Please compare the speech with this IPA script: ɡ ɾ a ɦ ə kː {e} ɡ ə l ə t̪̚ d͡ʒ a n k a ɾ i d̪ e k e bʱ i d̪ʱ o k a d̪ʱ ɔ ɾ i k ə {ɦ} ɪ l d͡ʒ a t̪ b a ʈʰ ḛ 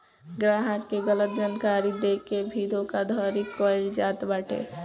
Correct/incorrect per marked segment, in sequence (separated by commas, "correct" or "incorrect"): correct, incorrect